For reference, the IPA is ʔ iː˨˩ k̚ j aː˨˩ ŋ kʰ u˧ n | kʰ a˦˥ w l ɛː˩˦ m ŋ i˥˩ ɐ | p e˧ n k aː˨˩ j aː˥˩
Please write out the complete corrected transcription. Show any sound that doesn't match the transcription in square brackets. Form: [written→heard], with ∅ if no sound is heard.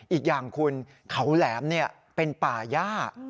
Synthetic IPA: ʔ iː˨˩ k̚ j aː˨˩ ŋ kʰ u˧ n | kʰ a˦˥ w l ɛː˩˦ m [ŋ→n] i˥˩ ɐ | p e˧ n [k→p] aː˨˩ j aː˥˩